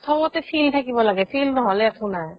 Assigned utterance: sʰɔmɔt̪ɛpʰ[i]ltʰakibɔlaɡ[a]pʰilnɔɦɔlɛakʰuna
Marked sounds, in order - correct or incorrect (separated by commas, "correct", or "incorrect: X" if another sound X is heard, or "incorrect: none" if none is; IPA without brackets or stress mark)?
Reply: correct, incorrect: ɛ